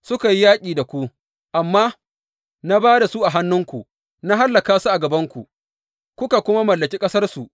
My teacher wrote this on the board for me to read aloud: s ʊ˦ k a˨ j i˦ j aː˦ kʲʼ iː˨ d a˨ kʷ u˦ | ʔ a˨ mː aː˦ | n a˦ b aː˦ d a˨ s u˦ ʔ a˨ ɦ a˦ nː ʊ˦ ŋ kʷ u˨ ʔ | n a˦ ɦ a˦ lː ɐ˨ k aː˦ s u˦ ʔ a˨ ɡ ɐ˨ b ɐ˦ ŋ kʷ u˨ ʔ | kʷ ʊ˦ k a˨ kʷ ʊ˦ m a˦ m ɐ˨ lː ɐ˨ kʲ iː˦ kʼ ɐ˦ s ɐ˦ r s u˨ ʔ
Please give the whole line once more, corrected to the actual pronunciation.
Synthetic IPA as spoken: s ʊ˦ k a˨ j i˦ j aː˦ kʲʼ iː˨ d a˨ kʷ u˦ | ʔ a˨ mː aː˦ | n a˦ b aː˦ d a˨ s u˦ ʔ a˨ ɦ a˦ nː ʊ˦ ŋ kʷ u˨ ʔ | n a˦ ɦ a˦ lː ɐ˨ k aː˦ s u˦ ʔ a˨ ɡ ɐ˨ b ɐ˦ ŋ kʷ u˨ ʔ | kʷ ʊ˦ k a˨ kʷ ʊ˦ m a˦ m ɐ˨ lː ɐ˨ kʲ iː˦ kʼ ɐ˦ s ɐ˦ r s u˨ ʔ